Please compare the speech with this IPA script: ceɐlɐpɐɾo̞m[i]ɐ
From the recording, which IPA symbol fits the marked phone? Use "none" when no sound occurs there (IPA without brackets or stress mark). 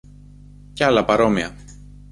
i